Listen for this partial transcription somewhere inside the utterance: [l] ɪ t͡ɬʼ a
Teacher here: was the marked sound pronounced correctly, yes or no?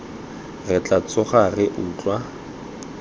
no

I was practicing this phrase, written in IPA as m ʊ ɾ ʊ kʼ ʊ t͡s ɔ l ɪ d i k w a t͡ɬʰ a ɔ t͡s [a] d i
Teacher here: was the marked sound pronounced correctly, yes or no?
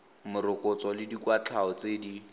no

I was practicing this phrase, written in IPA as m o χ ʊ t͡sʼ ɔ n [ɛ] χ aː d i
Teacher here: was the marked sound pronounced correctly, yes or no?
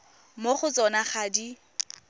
no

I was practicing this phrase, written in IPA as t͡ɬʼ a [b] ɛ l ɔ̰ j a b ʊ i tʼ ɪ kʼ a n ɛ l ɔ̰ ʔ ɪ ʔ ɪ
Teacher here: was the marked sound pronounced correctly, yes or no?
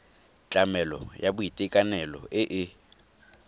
no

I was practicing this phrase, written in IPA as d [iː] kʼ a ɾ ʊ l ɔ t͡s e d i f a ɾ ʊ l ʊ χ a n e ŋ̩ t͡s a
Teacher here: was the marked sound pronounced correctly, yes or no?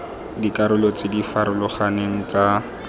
no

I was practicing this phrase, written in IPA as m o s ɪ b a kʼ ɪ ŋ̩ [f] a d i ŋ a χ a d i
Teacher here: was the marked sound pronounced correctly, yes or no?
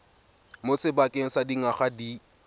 no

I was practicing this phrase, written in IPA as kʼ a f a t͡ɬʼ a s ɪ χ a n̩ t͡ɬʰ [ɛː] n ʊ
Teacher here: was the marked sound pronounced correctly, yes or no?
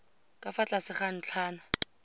no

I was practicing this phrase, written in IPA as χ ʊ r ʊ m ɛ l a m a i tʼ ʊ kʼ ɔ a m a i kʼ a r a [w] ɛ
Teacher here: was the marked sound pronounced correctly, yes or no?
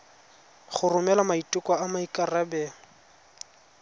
no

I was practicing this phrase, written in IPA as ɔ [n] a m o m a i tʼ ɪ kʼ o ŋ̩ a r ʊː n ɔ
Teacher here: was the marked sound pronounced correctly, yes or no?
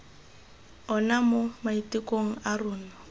yes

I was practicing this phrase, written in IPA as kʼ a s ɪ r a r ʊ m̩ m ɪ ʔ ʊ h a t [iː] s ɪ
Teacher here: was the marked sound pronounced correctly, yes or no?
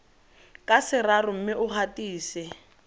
yes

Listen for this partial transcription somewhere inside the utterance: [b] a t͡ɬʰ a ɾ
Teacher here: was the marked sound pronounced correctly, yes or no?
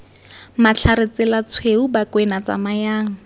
no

